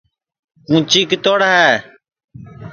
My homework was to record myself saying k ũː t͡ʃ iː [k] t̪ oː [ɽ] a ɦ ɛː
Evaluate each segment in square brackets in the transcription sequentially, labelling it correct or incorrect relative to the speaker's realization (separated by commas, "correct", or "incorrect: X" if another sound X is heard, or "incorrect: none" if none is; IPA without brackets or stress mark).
correct, correct